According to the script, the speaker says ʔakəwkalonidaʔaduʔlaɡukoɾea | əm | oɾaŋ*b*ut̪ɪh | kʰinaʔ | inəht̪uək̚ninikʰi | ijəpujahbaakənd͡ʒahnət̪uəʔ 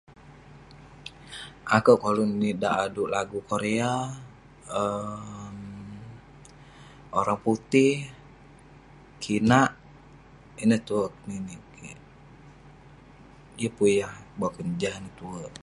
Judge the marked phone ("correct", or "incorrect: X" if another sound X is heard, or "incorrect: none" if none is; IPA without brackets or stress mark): incorrect: p